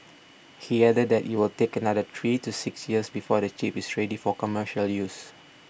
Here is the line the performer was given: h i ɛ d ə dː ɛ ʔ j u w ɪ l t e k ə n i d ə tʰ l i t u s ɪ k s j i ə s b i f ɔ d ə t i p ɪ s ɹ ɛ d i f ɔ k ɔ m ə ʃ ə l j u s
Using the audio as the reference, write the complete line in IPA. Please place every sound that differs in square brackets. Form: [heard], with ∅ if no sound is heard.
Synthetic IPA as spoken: h i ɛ d ə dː ɛ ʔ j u w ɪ l t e k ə n [a] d ə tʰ [ɹ] i t u s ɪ k s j i ə s b i f ɔ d ə [t͡ʃ] i p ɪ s ɹ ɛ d i f ɔ k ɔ m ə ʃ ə l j u s